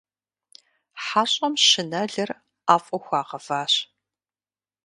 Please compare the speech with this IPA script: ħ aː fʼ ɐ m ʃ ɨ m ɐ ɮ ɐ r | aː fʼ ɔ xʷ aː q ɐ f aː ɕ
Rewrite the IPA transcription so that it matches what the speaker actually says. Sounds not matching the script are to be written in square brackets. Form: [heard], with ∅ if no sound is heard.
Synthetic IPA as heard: ħ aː [ɕʼ] ɐ m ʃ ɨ [n] ɐ ɮ ɐ r | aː fʼ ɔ xʷ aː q ɐ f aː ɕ